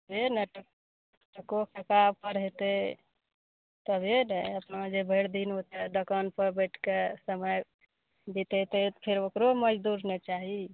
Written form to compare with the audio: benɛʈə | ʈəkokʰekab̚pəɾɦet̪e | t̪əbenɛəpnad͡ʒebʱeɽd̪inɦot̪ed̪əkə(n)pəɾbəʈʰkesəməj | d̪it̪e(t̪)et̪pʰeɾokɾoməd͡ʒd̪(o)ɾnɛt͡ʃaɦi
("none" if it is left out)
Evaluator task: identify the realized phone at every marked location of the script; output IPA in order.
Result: n, t̪, u

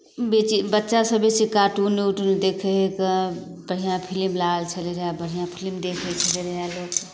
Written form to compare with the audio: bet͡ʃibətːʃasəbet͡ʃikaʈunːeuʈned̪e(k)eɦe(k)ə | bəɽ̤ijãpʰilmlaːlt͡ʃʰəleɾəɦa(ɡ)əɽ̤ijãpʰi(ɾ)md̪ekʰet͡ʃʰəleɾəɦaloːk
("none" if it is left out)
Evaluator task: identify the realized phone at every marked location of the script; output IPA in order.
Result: kʰ, k, b, l

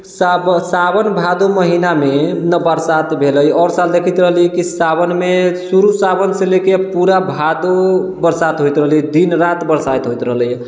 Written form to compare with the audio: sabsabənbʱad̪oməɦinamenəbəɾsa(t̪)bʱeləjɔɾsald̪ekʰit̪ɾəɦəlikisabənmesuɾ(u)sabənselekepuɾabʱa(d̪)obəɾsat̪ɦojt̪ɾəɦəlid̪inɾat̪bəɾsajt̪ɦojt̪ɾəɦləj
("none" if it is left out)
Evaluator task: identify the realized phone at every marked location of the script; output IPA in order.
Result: t̪, u, d̪

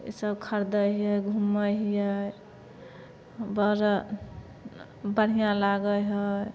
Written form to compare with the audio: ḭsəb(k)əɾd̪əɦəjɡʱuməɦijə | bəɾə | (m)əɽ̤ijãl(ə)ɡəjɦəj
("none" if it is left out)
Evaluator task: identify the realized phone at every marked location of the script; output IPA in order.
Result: kʰ, b, a

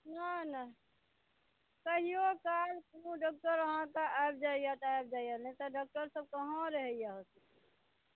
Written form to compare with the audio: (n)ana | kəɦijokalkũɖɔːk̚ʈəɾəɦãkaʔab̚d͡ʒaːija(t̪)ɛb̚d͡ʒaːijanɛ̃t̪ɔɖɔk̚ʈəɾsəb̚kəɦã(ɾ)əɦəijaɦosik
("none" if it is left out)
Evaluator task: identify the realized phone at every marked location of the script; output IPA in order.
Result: n, t̪, ɾ

